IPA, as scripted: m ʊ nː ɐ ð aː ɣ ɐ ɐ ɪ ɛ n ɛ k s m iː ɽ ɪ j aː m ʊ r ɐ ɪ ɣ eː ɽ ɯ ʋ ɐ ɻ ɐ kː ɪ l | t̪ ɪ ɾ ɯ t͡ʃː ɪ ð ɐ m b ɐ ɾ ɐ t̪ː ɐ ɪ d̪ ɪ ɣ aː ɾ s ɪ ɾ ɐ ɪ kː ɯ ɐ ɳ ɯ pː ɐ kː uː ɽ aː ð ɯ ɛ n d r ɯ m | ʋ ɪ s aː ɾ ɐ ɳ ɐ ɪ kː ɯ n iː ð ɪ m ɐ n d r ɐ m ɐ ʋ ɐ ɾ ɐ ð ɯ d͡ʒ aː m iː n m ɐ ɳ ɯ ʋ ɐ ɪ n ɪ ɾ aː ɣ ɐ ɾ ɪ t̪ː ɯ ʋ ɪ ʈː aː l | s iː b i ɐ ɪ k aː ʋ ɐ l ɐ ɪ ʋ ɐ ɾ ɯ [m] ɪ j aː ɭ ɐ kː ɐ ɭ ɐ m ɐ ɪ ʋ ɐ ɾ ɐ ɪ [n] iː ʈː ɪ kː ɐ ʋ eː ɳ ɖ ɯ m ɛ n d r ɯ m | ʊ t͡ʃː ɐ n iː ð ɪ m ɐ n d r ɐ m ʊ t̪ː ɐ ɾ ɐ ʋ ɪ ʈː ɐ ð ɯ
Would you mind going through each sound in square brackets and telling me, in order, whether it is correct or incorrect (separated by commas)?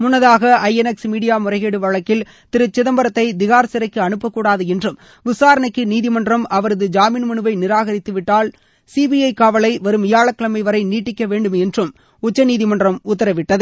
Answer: correct, correct